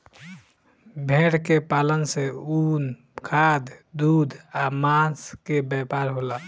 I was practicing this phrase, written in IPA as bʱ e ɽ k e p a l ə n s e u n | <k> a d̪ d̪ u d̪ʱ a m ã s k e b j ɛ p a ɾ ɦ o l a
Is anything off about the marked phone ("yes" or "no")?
yes